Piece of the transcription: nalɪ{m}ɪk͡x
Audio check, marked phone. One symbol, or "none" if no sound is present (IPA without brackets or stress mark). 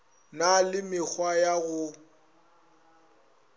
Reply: m